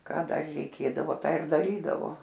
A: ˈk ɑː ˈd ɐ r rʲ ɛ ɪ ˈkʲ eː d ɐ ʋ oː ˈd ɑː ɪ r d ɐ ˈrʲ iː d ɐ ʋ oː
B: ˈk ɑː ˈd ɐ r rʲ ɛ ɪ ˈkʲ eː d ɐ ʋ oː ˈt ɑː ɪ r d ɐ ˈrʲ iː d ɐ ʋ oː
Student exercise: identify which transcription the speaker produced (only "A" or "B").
B